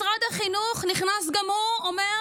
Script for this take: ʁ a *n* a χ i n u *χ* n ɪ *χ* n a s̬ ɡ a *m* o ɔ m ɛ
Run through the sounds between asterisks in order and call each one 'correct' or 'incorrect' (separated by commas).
incorrect, correct, correct, correct